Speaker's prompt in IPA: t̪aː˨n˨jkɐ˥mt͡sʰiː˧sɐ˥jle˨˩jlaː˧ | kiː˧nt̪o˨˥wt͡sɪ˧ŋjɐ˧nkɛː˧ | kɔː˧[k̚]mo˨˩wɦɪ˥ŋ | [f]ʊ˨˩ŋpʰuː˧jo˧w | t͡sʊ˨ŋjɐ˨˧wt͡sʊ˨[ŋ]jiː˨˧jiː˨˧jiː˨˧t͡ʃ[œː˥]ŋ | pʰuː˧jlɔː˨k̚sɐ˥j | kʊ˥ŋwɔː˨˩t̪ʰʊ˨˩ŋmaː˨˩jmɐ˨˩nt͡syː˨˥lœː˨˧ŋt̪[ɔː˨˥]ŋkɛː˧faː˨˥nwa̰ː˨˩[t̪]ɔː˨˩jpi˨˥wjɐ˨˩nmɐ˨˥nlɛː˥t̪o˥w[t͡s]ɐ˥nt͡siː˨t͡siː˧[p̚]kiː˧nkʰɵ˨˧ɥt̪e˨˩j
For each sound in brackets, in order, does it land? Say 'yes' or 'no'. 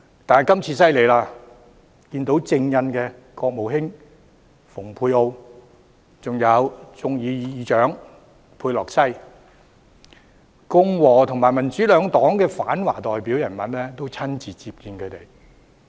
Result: yes, yes, yes, no, yes, yes, no, yes

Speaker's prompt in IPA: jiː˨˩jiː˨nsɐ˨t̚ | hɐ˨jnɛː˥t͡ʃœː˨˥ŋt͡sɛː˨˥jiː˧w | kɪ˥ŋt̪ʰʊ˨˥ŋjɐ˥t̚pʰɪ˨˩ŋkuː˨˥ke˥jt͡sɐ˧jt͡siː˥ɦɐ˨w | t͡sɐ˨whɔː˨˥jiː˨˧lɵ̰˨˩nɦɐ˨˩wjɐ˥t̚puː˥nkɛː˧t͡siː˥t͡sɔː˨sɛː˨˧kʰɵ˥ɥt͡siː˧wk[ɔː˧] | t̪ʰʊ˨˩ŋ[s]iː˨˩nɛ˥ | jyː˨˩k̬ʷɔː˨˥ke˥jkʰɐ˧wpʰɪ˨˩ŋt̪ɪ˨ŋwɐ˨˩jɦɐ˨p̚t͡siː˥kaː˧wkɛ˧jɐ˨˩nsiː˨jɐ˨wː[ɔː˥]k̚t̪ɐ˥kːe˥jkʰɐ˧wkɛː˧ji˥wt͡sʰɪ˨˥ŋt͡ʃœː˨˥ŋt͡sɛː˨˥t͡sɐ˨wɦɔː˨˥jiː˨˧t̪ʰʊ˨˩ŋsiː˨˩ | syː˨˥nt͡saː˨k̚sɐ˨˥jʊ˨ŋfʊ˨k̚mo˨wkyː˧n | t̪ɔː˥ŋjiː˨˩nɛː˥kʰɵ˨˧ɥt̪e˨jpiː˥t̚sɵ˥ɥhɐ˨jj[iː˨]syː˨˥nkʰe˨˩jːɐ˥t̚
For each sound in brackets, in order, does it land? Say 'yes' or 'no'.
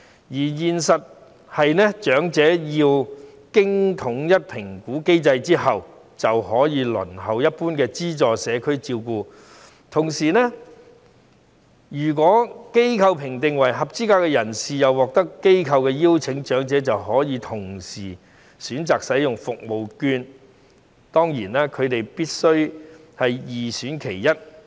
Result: no, yes, no, yes

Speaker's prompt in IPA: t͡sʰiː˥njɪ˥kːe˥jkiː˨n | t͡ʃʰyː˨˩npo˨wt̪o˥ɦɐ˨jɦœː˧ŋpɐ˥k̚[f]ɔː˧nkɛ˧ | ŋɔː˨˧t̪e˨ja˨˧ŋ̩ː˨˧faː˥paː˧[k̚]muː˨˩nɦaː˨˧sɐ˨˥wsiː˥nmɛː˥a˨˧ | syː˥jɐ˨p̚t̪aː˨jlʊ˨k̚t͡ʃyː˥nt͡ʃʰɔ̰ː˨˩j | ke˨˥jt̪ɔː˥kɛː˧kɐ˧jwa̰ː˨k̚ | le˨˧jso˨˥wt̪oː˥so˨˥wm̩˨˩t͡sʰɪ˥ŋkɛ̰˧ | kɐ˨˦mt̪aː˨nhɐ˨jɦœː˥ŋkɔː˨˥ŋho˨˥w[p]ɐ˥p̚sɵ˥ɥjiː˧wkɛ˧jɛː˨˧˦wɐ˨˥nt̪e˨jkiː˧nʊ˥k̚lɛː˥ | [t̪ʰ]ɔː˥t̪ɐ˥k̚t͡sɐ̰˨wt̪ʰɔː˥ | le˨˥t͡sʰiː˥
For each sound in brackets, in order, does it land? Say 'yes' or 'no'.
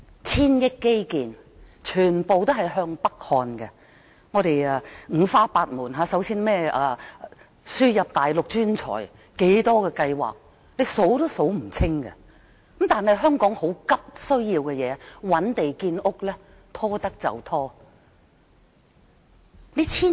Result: no, no, no, yes

